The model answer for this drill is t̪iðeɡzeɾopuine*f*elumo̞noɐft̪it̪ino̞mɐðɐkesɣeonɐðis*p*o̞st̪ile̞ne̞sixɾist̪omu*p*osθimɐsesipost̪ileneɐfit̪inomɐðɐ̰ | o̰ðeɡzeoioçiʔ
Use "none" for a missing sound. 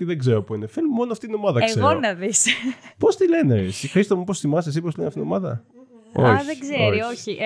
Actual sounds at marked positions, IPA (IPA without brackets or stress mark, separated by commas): f, p, p